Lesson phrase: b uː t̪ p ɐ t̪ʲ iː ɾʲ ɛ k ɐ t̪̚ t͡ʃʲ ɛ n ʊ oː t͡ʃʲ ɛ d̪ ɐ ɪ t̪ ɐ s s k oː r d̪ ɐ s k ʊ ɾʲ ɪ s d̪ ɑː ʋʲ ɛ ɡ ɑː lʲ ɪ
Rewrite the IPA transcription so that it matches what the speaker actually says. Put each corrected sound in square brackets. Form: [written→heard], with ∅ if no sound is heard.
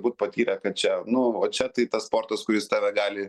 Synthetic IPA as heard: b uː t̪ p ɐ t̪ʲ iː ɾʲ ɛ k ɐ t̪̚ t͡ʃʲ ɛ n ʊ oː t͡ʃʲ ɛ [d̪→t̪] ɐ ɪ t̪ ɐ s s [k→p] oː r [d̪→t̪] ɐ s k ʊ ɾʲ ɪ s [d̪→t̪] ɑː ʋʲ ɛ ɡ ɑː lʲ ɪ

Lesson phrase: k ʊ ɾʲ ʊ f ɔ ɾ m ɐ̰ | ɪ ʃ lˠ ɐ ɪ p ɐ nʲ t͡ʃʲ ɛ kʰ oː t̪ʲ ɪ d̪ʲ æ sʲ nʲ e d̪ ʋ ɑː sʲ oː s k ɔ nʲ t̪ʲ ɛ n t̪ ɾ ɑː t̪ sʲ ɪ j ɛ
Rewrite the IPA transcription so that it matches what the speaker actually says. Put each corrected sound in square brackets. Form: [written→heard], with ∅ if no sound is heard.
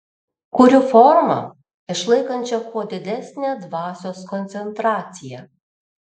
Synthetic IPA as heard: k ʊ ɾʲ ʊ f ɔ ɾ m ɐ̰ | ɪ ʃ lˠ ɐ ɪ [p→k] ɐ nʲ t͡ʃʲ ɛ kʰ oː [t̪ʲ→d̪ʲ] ɪ d̪ʲ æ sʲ nʲ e d̪ ʋ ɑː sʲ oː s k ɔ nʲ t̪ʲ ɛ n t̪ ɾ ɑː t̪ sʲ ɪ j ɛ

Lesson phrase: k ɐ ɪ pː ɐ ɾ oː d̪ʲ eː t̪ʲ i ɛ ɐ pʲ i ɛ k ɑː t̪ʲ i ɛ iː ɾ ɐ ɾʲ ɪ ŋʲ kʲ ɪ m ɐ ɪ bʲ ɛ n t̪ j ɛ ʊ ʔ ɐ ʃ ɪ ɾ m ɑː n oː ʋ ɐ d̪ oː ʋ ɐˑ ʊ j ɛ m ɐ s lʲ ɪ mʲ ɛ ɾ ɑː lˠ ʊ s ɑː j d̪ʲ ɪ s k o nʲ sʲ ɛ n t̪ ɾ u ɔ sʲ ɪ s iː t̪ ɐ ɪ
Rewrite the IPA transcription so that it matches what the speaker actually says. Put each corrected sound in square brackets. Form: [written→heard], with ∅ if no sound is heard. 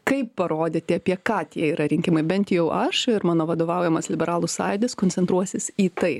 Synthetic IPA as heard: k ɐ ɪ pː ɐ ɾ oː d̪ʲ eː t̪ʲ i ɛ ɐ pʲ i ɛ k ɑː t̪ʲ i ɛ iː ɾ ɐ ɾʲ ɪ ŋʲ kʲ ɪ m ɐ ɪ bʲ ɛ n t̪ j ɛ ʊ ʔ ɐ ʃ ɪ ɾ m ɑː n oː ʋ ɐ d̪ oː ʋ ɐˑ ʊ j ɛ m ɐ s lʲ ɪ [mʲ→bʲ] ɛ ɾ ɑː lˠ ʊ s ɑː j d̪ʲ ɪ s k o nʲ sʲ ɛ n t̪ ɾ u ɔ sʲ ɪ s iː t̪ ɐ ɪ

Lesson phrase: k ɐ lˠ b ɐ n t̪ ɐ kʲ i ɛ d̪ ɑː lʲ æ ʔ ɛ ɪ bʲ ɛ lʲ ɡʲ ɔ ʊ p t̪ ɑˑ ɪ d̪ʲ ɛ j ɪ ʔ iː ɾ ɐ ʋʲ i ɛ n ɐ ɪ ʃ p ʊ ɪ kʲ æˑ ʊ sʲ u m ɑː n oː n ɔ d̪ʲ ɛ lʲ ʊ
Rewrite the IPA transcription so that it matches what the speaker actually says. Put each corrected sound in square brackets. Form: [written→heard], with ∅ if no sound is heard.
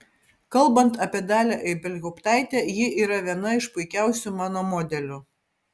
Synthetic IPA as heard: k ɐ lˠ b ɐ n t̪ ɐ [kʲ→pʲ] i ɛ d̪ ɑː lʲ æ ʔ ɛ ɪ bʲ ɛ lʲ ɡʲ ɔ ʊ p t̪ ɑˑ ɪ [d̪ʲ→t̪ʲ] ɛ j ɪ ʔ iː ɾ ɐ ʋʲ i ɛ n ɐ ɪ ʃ p ʊ ɪ kʲ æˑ ʊ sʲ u m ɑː n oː [n→m] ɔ d̪ʲ ɛ lʲ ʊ

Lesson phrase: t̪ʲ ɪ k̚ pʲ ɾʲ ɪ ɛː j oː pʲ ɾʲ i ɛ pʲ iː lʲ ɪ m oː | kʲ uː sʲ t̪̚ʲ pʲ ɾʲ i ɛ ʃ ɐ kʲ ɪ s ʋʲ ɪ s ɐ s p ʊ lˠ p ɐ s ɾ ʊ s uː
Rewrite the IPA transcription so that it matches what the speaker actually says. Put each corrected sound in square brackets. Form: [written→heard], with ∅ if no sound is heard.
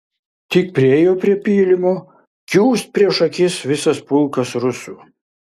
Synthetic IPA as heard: t̪ʲ ɪ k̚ pʲ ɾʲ ɪ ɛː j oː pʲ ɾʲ i ɛ pʲ iː lʲ ɪ m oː | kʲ uː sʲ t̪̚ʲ pʲ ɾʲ i ɛ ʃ ɐ kʲ ɪ s ʋʲ ɪ s ɐ s p ʊ lˠ [p→k] ɐ s ɾ ʊ s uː

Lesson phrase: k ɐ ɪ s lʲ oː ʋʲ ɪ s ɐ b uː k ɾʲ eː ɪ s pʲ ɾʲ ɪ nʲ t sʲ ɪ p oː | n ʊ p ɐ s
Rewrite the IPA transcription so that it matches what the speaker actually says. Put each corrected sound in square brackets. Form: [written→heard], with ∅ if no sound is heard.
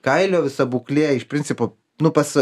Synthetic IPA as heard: k ɐ ɪ [s→∅] lʲ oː ʋʲ ɪ s ɐ b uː k [ɾʲ→lʲ] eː ɪ [s→ʃ] pʲ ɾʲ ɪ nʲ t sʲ ɪ p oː | n ʊ p ɐ s

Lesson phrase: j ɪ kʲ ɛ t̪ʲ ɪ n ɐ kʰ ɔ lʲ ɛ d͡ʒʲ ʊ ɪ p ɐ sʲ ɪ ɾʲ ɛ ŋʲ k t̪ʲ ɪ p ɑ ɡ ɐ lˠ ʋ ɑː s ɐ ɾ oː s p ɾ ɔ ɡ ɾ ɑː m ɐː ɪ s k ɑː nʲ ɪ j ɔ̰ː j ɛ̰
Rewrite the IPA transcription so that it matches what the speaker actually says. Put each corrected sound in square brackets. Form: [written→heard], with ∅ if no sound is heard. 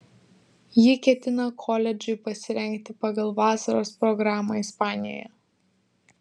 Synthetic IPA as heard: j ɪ kʲ ɛ t̪ʲ ɪ n ɐ kʰ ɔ lʲ ɛ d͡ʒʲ ʊ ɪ p ɐ sʲ ɪ ɾʲ ɛ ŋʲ k t̪ʲ ɪ p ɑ ɡ ɐ lˠ ʋ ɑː s ɐ ɾ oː s p ɾ ɔ ɡ ɾ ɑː m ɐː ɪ s [k→p] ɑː nʲ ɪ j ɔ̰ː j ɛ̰

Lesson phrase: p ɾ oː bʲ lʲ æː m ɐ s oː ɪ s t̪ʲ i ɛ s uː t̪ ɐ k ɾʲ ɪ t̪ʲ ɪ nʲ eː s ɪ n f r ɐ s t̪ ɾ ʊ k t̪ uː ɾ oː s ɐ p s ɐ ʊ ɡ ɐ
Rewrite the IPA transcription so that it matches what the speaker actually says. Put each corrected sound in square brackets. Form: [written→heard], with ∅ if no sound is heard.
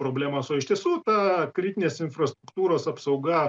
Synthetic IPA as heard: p ɾ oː bʲ lʲ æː m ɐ s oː ɪ [s→ʃ] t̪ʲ i ɛ s uː t̪ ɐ k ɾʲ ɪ t̪ʲ ɪ nʲ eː s ɪ n f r ɐ s t̪ ɾ ʊ k t̪ uː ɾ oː s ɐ p s ɐ ʊ ɡ ɐ

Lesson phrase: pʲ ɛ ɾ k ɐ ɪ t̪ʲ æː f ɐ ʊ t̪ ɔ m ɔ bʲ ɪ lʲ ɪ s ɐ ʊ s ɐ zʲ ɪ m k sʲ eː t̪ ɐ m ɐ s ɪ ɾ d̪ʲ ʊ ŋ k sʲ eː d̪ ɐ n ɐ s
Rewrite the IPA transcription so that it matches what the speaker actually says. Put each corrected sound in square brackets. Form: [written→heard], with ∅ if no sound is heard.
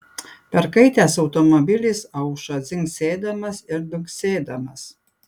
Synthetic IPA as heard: pʲ ɛ ɾ k ɐ ɪ t̪ʲ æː [f→s] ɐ ʊ t̪ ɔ m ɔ bʲ ɪ lʲ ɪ s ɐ ʊ [s→ʃ] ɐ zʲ ɪ [m→ŋ] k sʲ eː [t̪→d̪] ɐ m ɐ s ɪ ɾ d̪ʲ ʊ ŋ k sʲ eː d̪ ɐ [n→m] ɐ s

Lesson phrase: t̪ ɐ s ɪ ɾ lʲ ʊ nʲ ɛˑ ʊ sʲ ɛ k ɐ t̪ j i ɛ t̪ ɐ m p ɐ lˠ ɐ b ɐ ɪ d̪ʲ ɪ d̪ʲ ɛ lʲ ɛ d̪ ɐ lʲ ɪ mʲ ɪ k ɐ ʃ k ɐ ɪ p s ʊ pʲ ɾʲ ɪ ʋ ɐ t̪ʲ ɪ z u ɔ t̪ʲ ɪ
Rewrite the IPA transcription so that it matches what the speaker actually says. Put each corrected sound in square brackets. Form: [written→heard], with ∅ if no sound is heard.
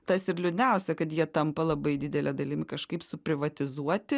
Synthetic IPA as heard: t̪ ɐ s ɪ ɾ lʲ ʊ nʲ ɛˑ ʊ sʲ ɛ k ɐ t̪ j i ɛ t̪ ɐ m p ɐ lˠ ɐ b ɐ ɪ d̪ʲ ɪ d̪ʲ ɛ lʲ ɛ d̪ ɐ lʲ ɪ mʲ ɪ k ɐ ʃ k ɐ ɪ p s ʊ pʲ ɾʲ ɪ ʋ ɐ t̪ʲ ɪ z u ɔ t̪ʲ ɪ

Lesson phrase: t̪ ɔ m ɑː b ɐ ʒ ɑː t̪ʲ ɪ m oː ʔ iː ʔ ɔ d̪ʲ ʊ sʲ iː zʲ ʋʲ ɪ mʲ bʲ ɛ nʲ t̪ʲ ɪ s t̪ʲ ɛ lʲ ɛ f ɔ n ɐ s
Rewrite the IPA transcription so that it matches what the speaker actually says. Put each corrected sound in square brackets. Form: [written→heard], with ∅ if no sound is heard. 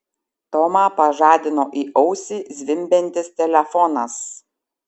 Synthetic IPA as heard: t̪ ɔ m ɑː [b→p] ɐ ʒ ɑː [t̪ʲ→d̪ʲ] ɪ [m→n] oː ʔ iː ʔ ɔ [d̪ʲ→∅] ʊ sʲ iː zʲ ʋʲ ɪ mʲ bʲ ɛ nʲ t̪ʲ ɪ s t̪ʲ ɛ lʲ ɛ f ɔ n ɐ s

